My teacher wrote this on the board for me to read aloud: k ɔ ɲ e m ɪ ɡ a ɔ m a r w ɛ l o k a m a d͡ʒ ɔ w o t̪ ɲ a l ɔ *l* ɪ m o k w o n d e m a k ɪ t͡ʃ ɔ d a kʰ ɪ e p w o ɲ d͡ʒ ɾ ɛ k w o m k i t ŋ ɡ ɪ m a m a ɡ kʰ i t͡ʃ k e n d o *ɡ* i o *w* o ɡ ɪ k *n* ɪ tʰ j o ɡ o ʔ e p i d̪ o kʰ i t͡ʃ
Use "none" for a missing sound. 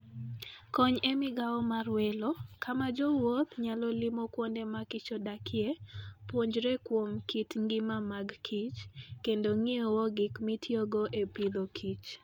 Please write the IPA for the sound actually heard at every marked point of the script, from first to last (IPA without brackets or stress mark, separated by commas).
l, ŋ, w, m